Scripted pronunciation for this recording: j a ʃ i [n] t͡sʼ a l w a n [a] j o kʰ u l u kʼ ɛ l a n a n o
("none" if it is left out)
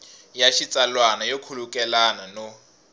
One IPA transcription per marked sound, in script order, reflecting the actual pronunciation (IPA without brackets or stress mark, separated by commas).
none, a